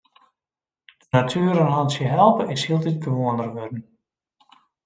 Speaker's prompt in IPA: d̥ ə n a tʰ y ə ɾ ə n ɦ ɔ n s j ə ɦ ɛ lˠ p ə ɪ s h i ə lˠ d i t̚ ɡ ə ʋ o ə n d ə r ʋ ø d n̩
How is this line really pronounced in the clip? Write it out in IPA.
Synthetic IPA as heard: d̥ ə n a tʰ y ə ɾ ə n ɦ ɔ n s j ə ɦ ɛ lˠ p ə ɪ s h i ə lˠ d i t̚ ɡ ə ʋ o ə n d ə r ʋ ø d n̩